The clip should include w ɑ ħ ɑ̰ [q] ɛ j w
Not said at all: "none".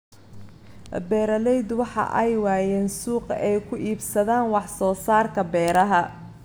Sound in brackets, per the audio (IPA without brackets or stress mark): ʔ